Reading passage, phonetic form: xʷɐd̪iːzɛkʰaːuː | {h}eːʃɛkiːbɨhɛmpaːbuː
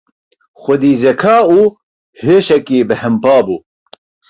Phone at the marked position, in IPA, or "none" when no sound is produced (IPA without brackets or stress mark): h